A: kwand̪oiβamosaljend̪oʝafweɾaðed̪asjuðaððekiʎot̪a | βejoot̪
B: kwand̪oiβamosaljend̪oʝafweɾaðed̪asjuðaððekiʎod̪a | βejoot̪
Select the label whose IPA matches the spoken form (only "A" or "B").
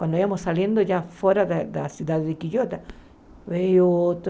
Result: A